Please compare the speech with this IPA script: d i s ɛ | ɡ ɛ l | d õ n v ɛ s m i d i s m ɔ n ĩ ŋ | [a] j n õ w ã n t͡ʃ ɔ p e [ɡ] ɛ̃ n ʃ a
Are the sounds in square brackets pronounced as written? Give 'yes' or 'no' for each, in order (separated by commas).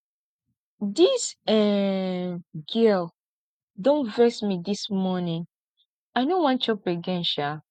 yes, yes